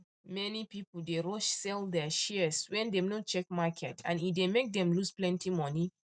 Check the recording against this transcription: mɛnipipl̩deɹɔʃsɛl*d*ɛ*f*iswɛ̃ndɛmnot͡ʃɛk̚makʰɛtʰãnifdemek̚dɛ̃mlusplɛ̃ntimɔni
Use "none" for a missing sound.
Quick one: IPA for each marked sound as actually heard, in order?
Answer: d, ʃ

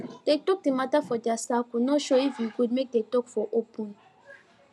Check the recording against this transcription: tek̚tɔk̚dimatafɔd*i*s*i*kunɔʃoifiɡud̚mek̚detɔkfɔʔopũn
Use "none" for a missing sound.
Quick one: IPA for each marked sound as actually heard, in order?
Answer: a, a

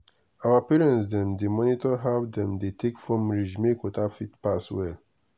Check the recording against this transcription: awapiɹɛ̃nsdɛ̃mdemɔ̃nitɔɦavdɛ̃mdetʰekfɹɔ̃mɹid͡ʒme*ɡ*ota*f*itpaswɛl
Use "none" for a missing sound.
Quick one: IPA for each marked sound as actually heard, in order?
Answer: k, f

